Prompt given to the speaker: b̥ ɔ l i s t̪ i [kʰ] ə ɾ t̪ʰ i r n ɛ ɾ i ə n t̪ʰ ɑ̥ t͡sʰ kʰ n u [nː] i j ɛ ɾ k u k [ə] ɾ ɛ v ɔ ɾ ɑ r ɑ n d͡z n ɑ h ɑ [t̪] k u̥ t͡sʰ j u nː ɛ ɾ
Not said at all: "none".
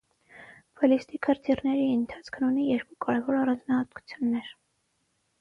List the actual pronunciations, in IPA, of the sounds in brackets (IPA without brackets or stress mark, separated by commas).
kʰ, n, ɑ, t̪